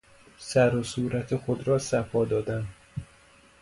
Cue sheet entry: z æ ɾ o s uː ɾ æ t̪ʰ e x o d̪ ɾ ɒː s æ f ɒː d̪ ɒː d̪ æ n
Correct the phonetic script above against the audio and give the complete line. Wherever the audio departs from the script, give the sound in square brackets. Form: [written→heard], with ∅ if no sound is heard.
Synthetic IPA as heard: [z→s] æ ɾ o s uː ɾ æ t̪ʰ e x o d̪ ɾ ɒː s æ f ɒː d̪ ɒː d̪ æ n